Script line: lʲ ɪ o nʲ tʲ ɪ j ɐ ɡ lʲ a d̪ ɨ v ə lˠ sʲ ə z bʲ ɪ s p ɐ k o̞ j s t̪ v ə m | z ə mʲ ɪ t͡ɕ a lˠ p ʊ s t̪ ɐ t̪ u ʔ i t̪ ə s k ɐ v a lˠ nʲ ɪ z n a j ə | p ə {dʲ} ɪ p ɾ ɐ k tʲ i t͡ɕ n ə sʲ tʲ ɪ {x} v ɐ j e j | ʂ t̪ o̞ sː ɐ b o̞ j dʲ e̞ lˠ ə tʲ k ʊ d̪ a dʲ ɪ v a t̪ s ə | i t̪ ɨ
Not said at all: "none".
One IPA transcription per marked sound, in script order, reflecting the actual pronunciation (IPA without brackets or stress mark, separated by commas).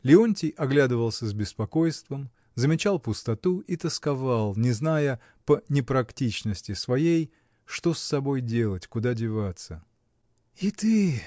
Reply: nʲ, s